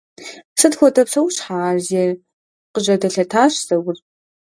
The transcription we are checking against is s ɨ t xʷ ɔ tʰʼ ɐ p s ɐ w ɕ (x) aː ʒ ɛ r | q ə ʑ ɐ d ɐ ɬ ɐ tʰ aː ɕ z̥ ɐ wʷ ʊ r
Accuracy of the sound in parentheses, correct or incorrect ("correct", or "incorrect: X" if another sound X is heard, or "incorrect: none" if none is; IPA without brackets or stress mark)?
incorrect: ħ